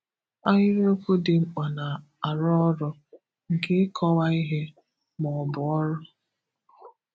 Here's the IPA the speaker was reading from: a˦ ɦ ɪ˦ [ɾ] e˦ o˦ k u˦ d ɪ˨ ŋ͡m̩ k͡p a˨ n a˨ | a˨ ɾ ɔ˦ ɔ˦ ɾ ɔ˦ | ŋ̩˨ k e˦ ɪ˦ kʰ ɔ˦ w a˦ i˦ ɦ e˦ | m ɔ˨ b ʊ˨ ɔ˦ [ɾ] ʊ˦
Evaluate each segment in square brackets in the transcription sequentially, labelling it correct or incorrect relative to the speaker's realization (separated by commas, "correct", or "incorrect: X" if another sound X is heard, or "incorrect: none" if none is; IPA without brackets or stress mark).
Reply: correct, correct